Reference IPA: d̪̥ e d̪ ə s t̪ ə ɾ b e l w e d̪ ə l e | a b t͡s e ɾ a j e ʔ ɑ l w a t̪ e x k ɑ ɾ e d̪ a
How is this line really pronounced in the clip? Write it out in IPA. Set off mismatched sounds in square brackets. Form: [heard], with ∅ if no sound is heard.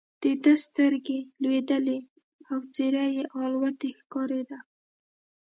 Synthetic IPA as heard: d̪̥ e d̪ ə s t̪ ə ɾ [ɡ] e l w e d̪ ə l e | a [w] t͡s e ɾ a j e ʔ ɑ l w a t̪ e x k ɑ ɾ e d̪ a